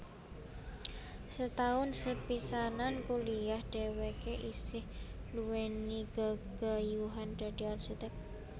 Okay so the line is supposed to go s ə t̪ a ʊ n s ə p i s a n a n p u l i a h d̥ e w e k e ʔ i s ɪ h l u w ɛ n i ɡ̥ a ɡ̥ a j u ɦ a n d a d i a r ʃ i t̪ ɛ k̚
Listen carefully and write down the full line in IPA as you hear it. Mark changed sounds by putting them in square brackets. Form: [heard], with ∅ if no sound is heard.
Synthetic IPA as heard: s ə t̪ a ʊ n s ə p i s a n a n [k] u l i a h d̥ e w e k e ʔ i s ɪ h l u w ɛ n i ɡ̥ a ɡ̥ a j u ɦ a n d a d i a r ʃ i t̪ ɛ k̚